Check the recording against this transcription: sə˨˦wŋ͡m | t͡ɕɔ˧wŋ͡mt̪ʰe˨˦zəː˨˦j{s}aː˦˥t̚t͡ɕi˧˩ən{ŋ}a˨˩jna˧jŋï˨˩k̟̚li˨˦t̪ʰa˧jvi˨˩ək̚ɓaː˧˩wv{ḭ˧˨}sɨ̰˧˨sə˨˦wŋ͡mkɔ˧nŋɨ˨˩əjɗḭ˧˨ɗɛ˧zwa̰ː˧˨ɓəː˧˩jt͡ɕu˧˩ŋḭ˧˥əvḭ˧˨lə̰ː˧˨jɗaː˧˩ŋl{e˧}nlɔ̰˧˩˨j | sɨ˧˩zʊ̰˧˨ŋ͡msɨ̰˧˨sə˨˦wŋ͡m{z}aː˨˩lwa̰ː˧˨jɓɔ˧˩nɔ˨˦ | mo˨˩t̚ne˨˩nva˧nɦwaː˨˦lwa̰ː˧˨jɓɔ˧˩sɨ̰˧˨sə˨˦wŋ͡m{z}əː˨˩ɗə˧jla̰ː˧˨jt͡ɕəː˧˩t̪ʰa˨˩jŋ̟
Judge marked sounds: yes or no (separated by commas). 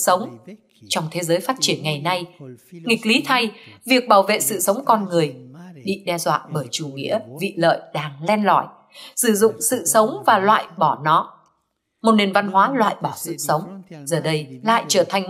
no, yes, no, no, no, yes